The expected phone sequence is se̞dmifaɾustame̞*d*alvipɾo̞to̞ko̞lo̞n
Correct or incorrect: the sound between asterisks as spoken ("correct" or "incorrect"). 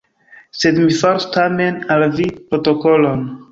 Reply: incorrect